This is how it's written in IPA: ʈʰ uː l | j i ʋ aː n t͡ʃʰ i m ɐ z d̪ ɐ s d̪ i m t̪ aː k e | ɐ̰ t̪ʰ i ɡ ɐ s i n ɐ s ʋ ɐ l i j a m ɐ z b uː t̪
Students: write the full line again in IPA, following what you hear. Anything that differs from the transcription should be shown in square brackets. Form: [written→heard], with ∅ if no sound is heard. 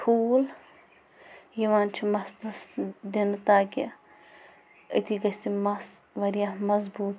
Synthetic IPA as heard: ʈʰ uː l | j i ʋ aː n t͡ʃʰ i m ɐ [z→s] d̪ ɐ s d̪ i [m→n] t̪ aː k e | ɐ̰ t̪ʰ i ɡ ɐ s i [n→m] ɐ s ʋ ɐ [l→ɾ] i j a m ɐ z b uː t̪

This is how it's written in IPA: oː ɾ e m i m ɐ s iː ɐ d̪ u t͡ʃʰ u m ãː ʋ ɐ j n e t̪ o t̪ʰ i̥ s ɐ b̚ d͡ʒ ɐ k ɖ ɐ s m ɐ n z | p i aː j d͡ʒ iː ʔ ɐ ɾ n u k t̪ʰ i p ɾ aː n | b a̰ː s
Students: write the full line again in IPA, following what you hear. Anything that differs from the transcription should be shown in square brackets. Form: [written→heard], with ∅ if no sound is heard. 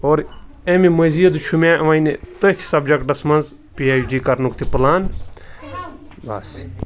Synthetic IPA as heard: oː ɾ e m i m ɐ [s→z] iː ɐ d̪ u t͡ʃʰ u m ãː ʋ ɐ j n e t̪ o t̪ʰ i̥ s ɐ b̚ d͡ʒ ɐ k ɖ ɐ s m ɐ n z | p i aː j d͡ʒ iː [ʔ→k] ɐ ɾ n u k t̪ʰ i p [ɾ→l] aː n | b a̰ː s

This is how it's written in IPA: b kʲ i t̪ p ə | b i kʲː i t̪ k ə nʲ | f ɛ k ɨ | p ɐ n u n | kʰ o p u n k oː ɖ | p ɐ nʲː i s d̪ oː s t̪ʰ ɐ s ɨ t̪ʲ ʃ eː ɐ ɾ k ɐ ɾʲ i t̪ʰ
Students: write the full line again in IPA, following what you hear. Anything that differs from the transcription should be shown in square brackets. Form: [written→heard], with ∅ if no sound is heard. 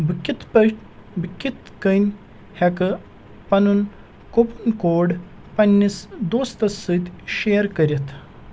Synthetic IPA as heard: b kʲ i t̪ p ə | b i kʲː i t̪ k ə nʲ | [f→h] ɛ k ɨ | p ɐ n u n | [kʰ→k] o p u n k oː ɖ | p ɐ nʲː i s d̪ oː s [t̪ʰ→t̪] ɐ s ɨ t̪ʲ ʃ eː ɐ ɾ k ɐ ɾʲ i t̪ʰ

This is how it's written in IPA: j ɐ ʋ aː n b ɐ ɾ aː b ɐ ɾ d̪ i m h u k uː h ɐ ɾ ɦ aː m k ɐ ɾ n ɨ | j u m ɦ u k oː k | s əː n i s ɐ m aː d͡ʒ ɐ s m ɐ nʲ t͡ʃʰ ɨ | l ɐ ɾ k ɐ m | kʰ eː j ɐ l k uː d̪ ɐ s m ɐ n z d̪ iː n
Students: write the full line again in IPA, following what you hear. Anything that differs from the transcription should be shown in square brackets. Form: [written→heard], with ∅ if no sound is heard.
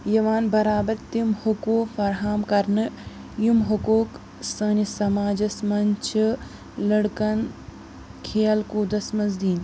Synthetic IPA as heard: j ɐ ʋ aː n b ɐ ɾ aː b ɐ ɾ [d̪→t̪] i m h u k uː [h→f] ɐ ɾ ɦ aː m k ɐ ɾ n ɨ | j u m ɦ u k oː k | s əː n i s ɐ m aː d͡ʒ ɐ s m ɐ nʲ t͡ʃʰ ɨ | l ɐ [ɾ→ɽ] k ɐ [m→n] | kʰ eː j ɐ l k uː d̪ ɐ s m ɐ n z d̪ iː n

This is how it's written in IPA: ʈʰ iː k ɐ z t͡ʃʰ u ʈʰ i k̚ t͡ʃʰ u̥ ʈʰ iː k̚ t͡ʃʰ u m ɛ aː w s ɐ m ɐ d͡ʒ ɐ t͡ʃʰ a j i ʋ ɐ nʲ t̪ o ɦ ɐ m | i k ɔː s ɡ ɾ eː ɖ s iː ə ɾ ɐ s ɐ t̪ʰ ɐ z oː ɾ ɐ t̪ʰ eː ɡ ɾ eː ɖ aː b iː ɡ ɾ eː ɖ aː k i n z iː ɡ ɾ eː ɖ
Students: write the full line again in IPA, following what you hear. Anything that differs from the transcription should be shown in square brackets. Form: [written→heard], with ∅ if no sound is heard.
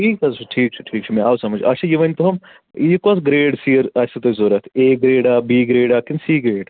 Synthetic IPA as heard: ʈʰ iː k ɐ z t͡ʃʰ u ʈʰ [i→iː] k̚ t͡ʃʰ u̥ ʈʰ iː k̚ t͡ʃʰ u m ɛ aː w s ɐ m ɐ d͡ʒ ɐ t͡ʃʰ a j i ʋ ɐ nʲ t̪ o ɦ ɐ m | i k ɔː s ɡ ɾ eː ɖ s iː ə ɾ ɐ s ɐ [t̪ʰ→t̪] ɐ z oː ɾ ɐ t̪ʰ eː ɡ ɾ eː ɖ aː b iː ɡ ɾ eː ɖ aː k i n [z→s] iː ɡ ɾ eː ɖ

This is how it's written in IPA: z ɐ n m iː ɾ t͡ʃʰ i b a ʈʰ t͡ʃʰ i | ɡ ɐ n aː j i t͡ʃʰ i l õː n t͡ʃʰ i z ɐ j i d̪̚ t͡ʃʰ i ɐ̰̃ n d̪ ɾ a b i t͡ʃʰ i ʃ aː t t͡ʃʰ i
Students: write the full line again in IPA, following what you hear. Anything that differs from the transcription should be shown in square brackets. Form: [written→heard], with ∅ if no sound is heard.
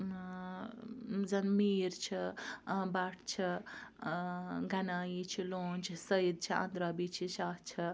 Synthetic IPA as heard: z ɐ n m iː ɾ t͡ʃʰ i b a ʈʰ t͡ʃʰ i | ɡ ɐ n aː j i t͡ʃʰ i l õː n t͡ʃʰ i [z→s] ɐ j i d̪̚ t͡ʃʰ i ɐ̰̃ n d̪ ɾ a b i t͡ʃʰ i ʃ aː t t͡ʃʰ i

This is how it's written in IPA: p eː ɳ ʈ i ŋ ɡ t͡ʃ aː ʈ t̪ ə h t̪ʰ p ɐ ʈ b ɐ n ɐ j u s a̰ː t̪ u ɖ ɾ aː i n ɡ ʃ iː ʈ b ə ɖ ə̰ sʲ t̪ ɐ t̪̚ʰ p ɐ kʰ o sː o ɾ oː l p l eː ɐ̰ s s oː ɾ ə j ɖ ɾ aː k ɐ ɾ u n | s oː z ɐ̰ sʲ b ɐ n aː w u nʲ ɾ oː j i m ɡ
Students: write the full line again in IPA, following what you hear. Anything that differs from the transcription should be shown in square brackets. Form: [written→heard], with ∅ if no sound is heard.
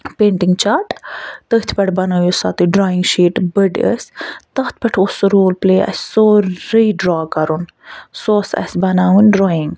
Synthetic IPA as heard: p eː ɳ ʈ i ŋ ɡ t͡ʃ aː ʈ t̪ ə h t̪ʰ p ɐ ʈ b ɐ n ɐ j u s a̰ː t̪ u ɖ ɾ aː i [n→ŋ] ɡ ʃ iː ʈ b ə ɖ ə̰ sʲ t̪ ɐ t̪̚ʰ p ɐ [kʰ→ʈʰ] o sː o ɾ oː l p l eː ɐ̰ s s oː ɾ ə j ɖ ɾ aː k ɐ ɾ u n | s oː [z→s] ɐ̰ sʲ b ɐ n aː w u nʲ ɾ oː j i [m→ŋ] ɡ

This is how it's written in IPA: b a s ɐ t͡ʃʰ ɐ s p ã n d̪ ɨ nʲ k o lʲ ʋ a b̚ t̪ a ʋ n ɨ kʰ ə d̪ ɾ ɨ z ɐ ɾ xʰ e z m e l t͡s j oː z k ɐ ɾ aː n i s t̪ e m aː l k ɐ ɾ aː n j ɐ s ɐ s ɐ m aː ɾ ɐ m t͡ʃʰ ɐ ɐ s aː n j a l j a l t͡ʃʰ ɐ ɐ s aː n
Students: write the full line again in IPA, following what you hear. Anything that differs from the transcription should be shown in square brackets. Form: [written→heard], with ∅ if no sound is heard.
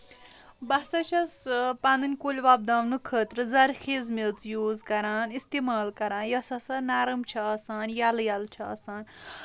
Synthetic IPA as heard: b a s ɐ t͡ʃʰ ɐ s p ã n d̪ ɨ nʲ k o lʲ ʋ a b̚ [t̪→d̪] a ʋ n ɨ kʰ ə [d̪→t̪] ɾ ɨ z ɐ ɾ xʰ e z m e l t͡s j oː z k ɐ ɾ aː n i s t̪ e m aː l k ɐ ɾ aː n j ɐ s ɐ s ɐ [m→n] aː ɾ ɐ m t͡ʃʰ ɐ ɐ s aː n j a l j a l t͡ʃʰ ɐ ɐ s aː n

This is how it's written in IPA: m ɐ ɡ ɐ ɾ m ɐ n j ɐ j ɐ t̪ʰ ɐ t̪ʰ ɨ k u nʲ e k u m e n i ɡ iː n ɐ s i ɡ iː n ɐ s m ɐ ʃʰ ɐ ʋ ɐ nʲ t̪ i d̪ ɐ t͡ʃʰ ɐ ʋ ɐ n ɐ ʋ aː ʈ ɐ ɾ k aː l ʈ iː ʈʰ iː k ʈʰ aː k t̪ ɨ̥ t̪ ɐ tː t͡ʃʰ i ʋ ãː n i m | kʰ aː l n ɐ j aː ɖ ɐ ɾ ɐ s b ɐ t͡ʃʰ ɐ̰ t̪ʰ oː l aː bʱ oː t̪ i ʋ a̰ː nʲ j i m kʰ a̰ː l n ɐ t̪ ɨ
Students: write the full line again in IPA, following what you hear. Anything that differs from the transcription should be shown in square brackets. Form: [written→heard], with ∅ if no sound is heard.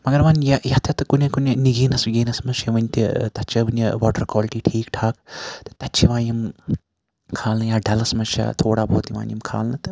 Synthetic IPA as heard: m ɐ ɡ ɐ ɾ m ɐ n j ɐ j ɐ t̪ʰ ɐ [t̪ʰ→t̪] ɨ k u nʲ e k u [m→n] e n i ɡ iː n ɐ s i ɡ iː n ɐ s m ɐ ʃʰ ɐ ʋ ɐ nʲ t̪ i [d̪→t̪] ɐ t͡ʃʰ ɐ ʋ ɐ n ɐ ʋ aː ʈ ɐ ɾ k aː l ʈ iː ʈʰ iː k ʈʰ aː k t̪ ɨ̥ t̪ ɐ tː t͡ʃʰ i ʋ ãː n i m | kʰ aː l n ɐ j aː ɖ ɐ [ɾ→l] ɐ s [b→m] ɐ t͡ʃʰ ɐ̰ t̪ʰ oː [l→ɽ] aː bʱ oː t̪ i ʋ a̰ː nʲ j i m kʰ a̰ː l n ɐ t̪ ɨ

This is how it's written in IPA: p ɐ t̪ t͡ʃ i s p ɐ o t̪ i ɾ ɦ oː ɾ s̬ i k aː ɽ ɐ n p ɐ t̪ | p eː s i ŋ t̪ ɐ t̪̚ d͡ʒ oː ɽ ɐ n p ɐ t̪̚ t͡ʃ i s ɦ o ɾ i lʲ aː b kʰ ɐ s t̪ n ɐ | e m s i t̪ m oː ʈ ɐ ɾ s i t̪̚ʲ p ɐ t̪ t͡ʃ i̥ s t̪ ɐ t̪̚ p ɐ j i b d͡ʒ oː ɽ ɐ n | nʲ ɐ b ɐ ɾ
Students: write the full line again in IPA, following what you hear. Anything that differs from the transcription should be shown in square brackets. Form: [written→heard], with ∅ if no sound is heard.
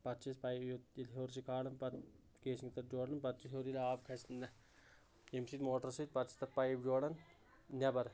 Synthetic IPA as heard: p ɐ t̪ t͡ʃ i s p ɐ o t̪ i [ɾ→l] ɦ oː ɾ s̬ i k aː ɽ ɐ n p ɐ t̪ | [p→k] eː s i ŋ t̪ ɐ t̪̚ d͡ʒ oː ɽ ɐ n p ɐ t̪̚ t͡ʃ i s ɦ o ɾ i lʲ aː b kʰ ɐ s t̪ n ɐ | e m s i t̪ m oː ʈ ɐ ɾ s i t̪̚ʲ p ɐ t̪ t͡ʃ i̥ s t̪ ɐ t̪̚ p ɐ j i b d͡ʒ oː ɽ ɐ n | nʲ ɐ b ɐ ɾ

